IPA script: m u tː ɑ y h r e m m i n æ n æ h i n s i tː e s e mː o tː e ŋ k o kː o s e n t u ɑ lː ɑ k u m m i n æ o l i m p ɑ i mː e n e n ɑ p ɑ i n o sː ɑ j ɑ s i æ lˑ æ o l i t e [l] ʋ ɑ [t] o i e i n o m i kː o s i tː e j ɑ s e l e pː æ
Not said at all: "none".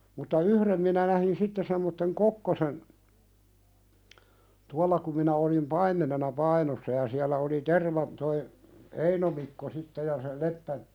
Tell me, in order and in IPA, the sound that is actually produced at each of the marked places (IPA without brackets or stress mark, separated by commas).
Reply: r, t